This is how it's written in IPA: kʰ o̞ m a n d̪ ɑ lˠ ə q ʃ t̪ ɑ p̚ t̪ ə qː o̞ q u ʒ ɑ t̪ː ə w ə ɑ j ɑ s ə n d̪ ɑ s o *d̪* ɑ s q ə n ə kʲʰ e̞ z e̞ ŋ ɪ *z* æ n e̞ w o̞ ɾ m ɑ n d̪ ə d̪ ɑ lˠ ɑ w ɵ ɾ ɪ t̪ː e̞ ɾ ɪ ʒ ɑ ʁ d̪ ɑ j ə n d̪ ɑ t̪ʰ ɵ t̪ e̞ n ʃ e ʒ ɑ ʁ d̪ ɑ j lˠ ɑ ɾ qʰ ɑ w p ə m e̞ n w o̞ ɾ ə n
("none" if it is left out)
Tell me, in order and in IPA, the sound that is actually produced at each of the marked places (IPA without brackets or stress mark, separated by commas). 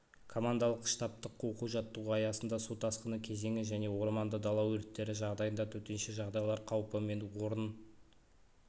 t̪, ʒ